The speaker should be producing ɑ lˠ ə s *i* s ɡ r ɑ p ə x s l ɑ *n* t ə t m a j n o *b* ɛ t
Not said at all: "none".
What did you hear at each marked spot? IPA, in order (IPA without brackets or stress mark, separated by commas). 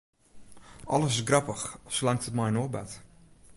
ɪ, ŋ, b